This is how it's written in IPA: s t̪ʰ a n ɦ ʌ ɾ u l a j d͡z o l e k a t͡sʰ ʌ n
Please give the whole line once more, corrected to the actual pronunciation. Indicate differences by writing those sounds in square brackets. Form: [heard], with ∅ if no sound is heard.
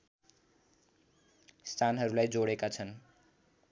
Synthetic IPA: s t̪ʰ a n ɦ ʌ ɾ u l a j d͡z o [ɽ] e k a t͡sʰ ʌ n